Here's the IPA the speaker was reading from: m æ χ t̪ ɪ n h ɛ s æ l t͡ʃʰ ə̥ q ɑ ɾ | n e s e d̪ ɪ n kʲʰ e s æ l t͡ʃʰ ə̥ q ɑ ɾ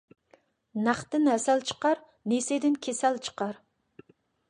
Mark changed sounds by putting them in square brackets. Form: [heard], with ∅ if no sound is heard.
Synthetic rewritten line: [n] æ χ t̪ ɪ n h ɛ s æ l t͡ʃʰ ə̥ q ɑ ɾ | n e s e d̪ ɪ n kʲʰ e s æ l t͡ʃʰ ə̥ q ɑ ɾ

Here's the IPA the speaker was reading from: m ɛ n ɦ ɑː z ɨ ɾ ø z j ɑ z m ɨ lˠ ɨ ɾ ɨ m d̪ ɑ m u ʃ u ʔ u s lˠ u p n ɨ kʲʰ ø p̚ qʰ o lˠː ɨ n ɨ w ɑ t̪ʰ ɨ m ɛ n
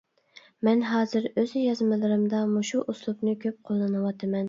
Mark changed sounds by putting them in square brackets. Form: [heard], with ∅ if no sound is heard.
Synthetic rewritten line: m ɛ n ɦ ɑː z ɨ ɾ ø z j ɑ z m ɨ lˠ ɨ ɾ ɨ m d̪ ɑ m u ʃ u ʔ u s lˠ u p n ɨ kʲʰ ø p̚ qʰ o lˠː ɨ n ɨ w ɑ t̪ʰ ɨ m ɛ n

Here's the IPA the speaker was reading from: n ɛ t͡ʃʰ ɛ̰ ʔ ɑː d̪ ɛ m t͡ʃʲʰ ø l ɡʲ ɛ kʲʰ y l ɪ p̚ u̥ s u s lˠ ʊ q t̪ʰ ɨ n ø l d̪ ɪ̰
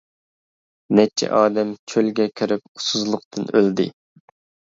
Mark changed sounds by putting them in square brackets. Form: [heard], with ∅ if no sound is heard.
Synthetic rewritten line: n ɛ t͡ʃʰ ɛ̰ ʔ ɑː d̪ ɛ m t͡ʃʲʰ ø l ɡʲ ɛ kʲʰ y [ɾ] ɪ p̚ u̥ s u [z] lˠ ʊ q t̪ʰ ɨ n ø l d̪ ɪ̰

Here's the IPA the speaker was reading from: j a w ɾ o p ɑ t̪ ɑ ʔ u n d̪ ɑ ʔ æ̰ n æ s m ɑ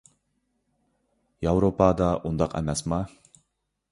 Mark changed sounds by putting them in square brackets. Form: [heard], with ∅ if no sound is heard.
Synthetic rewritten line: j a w ɾ o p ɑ [d̪] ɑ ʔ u n d̪ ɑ [q] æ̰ [m] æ s m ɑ

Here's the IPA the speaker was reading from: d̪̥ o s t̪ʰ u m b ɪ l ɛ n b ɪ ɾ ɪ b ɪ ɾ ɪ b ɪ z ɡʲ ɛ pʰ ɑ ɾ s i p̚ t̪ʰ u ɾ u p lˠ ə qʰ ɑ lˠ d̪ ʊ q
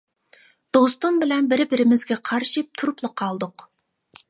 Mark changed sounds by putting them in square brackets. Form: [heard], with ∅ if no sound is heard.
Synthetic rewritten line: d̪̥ o s [t̪] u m b ɪ l ɛ n b ɪ ɾ ɪ b ɪ ɾ ɪ [m] ɪ z ɡʲ ɛ [qʰ] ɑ ɾ [ʃ] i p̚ t̪ʰ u ɾ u p lˠ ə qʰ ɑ lˠ d̪ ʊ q

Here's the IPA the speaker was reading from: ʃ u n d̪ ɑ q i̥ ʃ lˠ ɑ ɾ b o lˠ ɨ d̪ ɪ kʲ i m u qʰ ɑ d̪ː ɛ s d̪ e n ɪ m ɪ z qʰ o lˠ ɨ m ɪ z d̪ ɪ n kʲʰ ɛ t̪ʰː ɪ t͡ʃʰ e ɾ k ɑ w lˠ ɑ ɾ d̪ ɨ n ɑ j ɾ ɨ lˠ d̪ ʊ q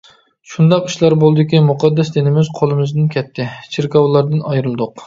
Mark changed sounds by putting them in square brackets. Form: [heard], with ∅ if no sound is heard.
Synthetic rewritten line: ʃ u n d̪ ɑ q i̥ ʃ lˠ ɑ ɾ b o lˠ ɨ d̪ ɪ kʲ i m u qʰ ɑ d̪ː ɛ s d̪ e n ɪ m ɪ z qʰ o lˠ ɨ m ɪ z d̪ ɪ n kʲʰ ɛ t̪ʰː ɪ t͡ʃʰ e ɾ k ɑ w lˠ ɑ ɾ d̪ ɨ n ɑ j ɾ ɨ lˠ d̪ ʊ q

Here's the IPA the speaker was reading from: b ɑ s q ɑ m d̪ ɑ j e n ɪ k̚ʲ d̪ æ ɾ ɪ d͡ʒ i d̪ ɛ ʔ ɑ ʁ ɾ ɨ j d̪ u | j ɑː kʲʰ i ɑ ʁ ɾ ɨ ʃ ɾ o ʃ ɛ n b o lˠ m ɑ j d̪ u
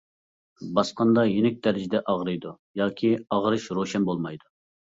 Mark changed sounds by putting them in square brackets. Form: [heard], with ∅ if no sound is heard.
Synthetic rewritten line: b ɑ s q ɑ [n] d̪ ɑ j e n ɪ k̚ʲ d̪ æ ɾ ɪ d͡ʒ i d̪ ɛ ʔ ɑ ʁ ɾ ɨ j d̪ u | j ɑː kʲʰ i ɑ ʁ ɾ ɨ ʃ ɾ o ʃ ɛ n b o lˠ m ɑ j d̪ u

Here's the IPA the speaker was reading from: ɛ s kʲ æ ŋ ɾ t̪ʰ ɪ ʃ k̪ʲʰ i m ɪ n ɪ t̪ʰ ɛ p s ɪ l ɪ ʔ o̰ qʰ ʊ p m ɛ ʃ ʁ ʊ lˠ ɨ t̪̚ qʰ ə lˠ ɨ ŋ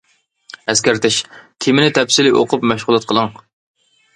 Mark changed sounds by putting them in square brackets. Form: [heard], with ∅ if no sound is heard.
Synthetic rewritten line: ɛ s kʲ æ [∅] ɾ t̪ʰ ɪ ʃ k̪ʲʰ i m ɪ n ɪ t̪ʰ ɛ p s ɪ l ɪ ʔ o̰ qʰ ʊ p m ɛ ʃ ʁ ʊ lˠ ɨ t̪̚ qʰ ə lˠ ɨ ŋ

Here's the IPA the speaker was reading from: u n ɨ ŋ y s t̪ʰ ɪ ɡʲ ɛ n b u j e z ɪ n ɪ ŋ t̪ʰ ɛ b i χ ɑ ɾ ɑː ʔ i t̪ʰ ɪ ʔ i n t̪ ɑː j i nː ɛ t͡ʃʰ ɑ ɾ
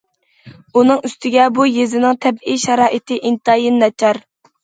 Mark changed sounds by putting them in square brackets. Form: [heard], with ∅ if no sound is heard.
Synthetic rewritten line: u n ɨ ŋ y s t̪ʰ ɪ ɡʲ ɛ [∅] b u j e z ɪ n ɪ ŋ t̪ʰ ɛ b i [ʃ] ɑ ɾ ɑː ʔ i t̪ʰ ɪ ʔ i n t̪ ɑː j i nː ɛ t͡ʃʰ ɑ ɾ

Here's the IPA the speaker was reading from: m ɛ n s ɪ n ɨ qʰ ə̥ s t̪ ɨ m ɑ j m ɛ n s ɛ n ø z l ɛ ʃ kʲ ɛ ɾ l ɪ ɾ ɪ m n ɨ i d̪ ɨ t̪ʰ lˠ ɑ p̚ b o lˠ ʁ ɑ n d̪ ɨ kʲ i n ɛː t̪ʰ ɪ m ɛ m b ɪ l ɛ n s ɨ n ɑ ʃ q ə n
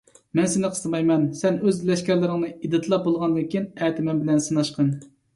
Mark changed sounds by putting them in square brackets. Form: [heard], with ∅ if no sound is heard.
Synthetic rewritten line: m ɛ n s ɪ n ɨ qʰ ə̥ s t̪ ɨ m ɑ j m ɛ n s ɛ n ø z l ɛ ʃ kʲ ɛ ɾ l ɪ ɾ ɪ [ŋ] n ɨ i d̪ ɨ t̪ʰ lˠ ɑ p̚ b o lˠ ʁ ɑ n d̪ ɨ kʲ i n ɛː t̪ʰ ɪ m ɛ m b ɪ l ɛ n s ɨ n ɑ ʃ q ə n

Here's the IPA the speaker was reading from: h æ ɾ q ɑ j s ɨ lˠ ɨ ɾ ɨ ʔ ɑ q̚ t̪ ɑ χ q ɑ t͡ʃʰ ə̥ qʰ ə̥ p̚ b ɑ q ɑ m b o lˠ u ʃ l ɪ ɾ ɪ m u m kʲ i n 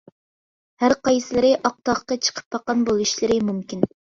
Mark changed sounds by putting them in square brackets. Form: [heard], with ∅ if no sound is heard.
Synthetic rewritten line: h æ ɾ q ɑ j s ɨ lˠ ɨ ɾ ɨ ʔ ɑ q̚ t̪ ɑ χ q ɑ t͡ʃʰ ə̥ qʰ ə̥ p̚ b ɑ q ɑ [n] b o lˠ u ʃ l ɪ ɾ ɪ m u m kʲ i n

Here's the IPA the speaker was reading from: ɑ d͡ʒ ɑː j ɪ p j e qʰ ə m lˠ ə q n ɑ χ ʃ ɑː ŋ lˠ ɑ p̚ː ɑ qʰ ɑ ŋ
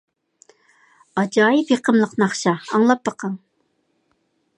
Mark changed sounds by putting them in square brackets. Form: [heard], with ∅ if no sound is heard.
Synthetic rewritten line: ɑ d͡ʒ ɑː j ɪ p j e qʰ ə m lˠ ə q n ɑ χ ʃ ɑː ŋ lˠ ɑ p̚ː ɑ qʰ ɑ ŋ

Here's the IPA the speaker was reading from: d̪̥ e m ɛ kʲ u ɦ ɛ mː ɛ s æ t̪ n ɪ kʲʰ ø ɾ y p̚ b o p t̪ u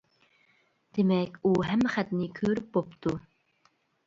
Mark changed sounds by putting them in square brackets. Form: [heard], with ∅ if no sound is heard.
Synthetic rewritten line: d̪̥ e m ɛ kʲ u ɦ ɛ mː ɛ [χ] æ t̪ n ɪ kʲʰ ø ɾ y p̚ b o p t̪ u

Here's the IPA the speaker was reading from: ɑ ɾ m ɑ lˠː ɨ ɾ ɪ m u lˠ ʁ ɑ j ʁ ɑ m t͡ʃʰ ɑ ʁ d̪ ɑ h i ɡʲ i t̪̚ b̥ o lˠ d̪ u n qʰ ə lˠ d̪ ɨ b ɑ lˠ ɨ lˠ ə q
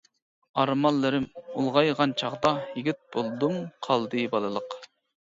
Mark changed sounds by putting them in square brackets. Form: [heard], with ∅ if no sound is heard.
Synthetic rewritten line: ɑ ɾ m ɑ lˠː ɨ ɾ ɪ m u lˠ ʁ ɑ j ʁ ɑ [n] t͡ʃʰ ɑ ʁ d̪ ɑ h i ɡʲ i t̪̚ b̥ o lˠ d̪ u [m] qʰ [ɑ] lˠ d̪ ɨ b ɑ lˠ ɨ lˠ ə q

